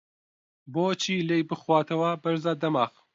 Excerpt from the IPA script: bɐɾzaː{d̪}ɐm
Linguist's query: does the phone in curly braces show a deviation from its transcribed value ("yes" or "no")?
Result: no